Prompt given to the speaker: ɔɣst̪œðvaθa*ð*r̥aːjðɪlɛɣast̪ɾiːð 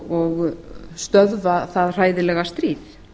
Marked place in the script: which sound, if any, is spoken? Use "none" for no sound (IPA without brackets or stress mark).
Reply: ð